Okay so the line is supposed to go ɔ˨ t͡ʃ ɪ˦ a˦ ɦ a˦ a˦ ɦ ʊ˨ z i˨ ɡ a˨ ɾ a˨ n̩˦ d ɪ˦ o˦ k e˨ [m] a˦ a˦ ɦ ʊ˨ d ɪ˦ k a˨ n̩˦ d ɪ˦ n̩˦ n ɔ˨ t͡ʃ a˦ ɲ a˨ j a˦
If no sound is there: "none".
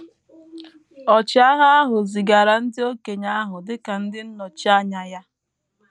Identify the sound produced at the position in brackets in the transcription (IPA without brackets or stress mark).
ɲ